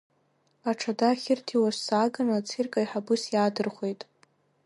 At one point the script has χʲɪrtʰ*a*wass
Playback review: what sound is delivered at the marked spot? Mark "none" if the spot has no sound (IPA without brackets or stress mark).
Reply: i